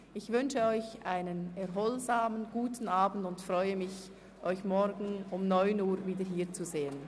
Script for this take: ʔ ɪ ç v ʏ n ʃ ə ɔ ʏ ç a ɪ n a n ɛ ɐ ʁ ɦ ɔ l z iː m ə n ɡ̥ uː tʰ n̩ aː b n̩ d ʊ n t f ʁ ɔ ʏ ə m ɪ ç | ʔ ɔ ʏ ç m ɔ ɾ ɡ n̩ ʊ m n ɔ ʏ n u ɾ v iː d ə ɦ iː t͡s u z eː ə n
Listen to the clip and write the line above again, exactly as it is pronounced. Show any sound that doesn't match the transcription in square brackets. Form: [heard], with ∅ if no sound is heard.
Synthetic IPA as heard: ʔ ɪ ç v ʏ n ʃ ə ɔ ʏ ç a ɪ n [ə] n ɛ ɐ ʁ ɦ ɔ l z [aː] m ə n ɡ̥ uː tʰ n̩ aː b n̩ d ʊ n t f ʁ ɔ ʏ ə m ɪ ç | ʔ ɔ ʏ ç m ɔ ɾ ɡ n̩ ʊ m n ɔ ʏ n [uː] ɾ v iː d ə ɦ iː t͡s u z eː ə n